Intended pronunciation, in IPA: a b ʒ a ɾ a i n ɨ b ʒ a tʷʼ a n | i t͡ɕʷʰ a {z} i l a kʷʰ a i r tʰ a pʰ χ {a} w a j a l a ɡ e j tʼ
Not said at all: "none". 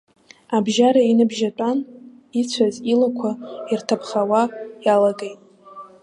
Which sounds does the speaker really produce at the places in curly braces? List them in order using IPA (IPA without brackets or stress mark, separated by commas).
z, a